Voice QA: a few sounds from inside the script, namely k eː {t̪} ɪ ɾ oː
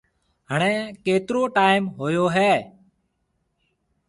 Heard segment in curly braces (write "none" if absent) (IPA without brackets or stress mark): t̪